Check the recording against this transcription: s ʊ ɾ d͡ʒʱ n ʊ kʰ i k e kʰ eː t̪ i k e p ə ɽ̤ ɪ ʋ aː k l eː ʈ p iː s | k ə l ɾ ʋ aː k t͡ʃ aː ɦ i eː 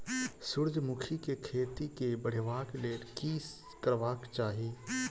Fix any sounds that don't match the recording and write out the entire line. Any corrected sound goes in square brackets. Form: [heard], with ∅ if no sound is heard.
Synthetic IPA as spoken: s ʊ ɾ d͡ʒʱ [m] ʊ kʰ i k e kʰ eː t̪ i k e [b] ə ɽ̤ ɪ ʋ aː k l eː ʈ [k] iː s | k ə [∅] ɾ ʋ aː k t͡ʃ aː ɦ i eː